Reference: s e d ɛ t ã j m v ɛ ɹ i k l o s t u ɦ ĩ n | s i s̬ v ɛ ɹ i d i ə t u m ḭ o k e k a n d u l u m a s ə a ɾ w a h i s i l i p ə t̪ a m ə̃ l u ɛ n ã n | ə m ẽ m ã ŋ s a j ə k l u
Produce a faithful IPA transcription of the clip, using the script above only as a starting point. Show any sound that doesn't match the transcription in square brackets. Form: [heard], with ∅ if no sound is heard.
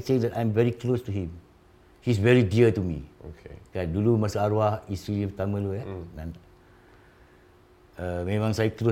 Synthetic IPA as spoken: s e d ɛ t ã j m v ɛ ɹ i k l o s t u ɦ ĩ [m] | [h] i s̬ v ɛ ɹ i d i ə t u m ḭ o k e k a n d u l u m a s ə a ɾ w a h i s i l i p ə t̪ a m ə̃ l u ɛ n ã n | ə m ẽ m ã ŋ s a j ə k l [o]